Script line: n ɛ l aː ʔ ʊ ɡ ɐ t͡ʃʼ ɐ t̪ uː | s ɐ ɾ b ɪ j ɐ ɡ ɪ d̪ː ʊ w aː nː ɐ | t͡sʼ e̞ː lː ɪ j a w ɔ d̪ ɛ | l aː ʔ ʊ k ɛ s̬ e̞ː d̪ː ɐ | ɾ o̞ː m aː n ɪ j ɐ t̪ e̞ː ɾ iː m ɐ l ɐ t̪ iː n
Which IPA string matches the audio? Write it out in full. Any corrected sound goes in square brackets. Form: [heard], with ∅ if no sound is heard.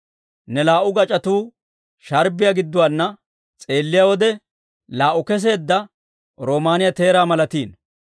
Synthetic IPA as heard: n ɛ l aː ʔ ʊ ɡ ɐ t͡ʃʼ ɐ t̪ uː | [ʃ] ɐ ɾ b ɪ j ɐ ɡ ɪ d̪ː ʊ w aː nː ɐ | t͡sʼ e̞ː lː ɪ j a w ɔ d̪ ɛ | l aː ʔ ʊ k ɛ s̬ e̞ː d̪ː ɐ | ɾ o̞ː m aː n ɪ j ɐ t̪ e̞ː ɾ [aː] m ɐ l ɐ t̪ iː n